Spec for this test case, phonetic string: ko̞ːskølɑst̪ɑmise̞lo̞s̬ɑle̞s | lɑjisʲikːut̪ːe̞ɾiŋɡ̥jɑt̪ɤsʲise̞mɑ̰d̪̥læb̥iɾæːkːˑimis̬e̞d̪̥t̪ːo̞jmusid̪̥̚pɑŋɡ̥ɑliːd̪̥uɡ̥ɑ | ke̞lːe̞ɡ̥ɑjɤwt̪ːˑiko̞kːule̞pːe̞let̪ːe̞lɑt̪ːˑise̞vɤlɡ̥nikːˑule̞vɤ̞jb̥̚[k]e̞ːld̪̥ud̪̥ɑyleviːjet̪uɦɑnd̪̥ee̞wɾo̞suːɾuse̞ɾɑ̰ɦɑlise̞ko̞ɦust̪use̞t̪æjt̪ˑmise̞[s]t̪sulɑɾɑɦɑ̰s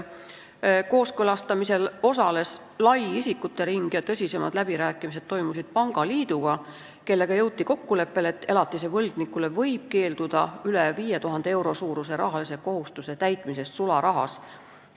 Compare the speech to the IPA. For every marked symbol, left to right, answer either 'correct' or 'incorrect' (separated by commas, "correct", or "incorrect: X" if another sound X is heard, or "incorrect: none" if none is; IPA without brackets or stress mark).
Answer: correct, correct